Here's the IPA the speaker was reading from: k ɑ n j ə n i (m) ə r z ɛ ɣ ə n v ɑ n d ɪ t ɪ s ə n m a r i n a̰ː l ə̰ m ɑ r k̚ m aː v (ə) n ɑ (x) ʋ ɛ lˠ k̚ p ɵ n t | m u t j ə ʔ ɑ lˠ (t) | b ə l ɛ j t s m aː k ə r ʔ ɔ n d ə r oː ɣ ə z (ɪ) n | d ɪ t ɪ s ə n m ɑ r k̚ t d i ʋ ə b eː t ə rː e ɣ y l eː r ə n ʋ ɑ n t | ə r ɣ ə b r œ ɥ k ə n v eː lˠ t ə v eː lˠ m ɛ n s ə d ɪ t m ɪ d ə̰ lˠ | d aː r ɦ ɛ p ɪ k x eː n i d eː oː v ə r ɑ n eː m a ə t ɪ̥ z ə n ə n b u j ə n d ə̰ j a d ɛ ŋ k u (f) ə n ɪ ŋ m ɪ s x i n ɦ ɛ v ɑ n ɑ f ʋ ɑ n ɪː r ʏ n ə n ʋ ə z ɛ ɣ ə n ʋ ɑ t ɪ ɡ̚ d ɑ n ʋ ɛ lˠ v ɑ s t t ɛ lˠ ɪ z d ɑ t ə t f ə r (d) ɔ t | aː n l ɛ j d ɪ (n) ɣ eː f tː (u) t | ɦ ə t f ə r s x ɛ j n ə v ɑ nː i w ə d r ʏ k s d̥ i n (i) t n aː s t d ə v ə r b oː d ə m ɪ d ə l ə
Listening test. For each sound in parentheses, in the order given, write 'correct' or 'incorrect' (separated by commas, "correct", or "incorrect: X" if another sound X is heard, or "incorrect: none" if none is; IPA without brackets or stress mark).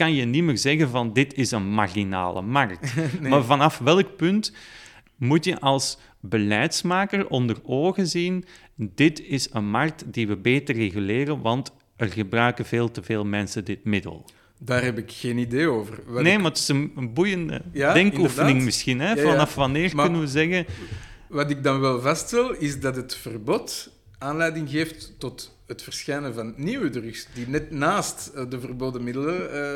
correct, incorrect: ɑ, incorrect: f, incorrect: s, incorrect: i, correct, incorrect: b, incorrect: ŋ, incorrect: ɔ, incorrect: ɛ